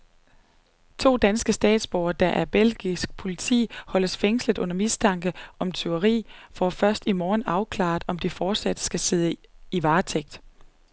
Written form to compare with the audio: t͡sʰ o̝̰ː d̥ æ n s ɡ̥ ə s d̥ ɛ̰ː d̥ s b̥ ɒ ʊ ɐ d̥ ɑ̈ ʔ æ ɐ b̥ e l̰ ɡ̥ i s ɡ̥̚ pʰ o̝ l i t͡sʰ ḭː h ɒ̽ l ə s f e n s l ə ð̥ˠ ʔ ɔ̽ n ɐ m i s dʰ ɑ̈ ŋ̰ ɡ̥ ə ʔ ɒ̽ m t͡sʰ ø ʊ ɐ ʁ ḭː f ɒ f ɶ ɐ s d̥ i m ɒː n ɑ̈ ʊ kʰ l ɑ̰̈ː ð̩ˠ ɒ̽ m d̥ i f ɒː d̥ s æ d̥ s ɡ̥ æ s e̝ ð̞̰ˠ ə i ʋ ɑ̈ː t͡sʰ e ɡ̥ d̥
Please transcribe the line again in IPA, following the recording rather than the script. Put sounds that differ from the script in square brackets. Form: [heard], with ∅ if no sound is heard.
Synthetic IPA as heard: t͡sʰ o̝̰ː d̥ æ n s ɡ̥ ə s d̥ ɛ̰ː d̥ s b̥ ɒ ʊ ɐ d̥ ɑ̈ ʔ æ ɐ b̥ e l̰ ɡ̥ i s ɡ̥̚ pʰ o̝ l i t͡sʰ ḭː h ɒ̽ l ə s f e [ŋ] s l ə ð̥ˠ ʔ ɔ̽ n ɐ m i s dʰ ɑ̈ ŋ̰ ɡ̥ ə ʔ ɒ̽ m t͡sʰ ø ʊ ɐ ʁ ḭː f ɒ f ɶ ɐ s d̥ i m ɒː n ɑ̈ ʊ kʰ l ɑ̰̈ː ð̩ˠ ɒ̽ m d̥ i f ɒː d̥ s æ d̥ s ɡ̥ æ s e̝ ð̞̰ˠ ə i ʋ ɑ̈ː t͡sʰ e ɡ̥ d̥